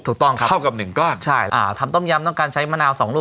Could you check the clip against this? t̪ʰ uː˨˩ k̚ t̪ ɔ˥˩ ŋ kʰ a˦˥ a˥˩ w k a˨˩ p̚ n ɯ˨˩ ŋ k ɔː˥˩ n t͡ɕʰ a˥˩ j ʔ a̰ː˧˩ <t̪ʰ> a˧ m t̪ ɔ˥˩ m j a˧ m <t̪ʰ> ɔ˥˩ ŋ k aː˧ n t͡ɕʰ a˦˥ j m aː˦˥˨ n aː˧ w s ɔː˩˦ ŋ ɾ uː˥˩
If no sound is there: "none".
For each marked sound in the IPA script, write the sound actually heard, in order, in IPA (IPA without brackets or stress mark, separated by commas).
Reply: t̪ʰ, t̪